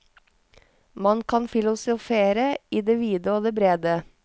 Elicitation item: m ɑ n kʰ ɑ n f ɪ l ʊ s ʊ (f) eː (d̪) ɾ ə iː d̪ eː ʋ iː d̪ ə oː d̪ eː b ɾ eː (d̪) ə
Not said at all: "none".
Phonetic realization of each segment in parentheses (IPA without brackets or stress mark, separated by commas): f, none, d̪